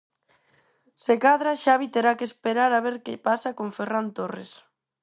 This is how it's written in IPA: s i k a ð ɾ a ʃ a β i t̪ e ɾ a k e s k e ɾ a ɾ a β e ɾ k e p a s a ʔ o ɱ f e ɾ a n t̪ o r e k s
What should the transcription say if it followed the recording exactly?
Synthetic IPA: s e k a ð ɾ a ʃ a β i t̪ e ɾ a k e s p e ɾ a ɾ a β e ɾ k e p a s a k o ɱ f e r a n t̪ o r e s